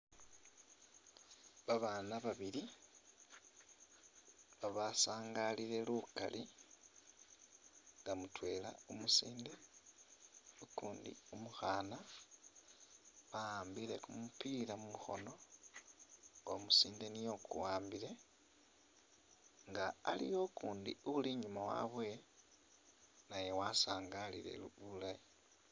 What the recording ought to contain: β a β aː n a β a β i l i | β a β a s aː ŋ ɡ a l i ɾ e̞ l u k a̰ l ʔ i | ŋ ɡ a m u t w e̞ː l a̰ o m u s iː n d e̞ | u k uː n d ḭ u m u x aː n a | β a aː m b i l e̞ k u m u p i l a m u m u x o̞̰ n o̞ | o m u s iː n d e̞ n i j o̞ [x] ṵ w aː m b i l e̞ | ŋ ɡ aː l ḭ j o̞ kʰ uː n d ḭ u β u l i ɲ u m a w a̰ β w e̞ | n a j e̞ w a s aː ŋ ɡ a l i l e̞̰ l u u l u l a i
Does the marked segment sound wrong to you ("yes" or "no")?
yes